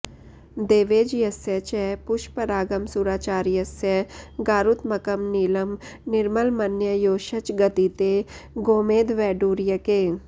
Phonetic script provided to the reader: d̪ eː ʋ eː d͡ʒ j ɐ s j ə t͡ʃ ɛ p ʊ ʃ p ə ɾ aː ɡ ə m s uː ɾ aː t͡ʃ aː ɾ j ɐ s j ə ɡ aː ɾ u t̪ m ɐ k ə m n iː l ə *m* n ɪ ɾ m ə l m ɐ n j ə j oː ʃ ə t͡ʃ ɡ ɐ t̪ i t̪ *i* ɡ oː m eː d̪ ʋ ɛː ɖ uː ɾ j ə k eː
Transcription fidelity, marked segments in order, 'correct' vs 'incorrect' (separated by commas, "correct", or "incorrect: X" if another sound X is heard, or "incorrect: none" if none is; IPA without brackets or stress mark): correct, incorrect: e